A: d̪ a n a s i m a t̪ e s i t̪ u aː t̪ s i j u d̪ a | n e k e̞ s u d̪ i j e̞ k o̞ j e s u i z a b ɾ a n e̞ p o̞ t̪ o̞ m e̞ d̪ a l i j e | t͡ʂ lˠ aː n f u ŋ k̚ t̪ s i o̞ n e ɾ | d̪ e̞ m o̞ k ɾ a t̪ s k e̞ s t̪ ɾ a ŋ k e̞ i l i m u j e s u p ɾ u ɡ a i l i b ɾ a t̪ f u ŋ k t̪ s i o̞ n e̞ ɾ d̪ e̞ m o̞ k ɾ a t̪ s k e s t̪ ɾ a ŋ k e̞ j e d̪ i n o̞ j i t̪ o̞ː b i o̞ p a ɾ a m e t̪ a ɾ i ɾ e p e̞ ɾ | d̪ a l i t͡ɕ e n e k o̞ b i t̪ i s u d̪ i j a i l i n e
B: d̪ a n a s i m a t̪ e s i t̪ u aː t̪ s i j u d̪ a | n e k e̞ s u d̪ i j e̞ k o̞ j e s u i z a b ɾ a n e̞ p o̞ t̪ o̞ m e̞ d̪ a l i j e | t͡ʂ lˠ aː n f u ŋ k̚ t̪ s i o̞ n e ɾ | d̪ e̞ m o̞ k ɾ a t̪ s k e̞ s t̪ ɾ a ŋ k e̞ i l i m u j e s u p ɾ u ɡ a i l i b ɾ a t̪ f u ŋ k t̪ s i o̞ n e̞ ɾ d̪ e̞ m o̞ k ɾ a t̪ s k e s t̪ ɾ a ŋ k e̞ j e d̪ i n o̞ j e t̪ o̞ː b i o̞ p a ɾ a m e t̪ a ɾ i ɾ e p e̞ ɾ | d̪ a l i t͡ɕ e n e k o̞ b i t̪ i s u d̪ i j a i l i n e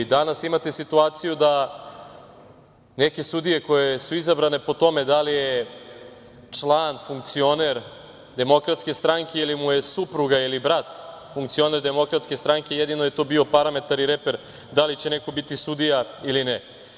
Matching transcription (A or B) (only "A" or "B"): B